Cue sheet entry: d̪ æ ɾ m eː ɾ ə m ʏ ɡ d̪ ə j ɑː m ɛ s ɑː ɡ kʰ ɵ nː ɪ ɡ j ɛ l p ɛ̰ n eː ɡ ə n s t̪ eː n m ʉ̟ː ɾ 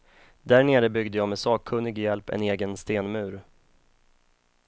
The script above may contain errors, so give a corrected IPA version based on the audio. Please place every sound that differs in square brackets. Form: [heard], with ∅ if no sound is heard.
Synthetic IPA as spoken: d̪ æ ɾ [ɳ] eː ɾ ə [b] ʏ ɡ d̪ ə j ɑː m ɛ s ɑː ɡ kʰ ɵ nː ɪ ɡ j ɛ l p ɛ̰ n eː ɡ ə n s t̪ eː n m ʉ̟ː ɾ